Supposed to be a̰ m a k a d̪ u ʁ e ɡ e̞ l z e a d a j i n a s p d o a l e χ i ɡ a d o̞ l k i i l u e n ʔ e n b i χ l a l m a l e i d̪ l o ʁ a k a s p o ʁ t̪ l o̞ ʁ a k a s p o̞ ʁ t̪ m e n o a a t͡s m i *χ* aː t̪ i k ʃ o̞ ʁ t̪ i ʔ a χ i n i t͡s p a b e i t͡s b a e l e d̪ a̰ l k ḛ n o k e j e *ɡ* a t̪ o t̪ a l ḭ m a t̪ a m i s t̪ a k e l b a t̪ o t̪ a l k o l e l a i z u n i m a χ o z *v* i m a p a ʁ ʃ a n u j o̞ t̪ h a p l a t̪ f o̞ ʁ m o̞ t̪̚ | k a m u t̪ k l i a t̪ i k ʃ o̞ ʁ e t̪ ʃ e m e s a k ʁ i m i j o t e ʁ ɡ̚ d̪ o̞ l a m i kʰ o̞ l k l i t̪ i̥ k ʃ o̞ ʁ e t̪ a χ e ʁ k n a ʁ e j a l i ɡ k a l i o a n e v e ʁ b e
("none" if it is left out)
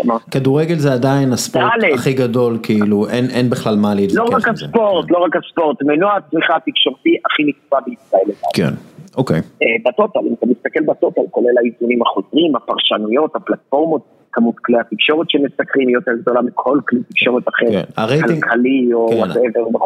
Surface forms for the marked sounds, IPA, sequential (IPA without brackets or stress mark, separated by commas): χ, b, ʁ